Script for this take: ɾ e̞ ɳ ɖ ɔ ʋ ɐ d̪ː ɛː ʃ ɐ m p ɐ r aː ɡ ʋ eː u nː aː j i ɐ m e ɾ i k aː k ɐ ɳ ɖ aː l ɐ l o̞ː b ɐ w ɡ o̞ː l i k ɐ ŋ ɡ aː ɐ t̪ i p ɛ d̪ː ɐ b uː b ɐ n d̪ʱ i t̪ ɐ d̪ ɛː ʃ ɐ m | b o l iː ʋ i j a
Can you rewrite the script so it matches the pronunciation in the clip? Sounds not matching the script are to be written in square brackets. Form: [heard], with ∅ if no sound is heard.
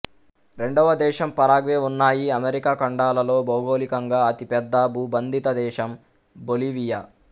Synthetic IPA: ɾ e̞ ɳ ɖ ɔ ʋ ɐ [d̪] ɛː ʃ ɐ m p ɐ [ɾ] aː ɡ ʋ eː u nː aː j i ɐ m e ɾ i k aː k ɐ ɳ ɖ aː l ɐ l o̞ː b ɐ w ɡ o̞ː l i k ɐ ŋ ɡ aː ɐ t̪ i p ɛ d̪ː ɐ b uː b ɐ n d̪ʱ i t̪ ɐ d̪ ɛː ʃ ɐ m | b o l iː ʋ i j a